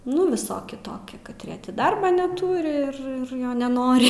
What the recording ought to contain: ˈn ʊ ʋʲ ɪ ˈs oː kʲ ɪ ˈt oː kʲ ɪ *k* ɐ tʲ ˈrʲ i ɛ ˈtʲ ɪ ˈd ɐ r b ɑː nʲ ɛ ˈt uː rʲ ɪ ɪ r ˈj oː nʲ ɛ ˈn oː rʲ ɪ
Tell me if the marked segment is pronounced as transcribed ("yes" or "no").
yes